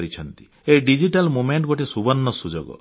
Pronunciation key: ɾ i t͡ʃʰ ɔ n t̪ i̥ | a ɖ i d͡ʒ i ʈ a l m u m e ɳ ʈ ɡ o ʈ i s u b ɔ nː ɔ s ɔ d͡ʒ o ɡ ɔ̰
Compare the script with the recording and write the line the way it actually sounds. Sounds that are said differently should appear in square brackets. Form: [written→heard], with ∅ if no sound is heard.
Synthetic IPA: ɾ i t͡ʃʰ ɔ n t̪ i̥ | [a→e] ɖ i d͡ʒ i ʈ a l m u m e ɳ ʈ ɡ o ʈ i s u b ɔ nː ɔ s [ɔ→u] d͡ʒ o ɡ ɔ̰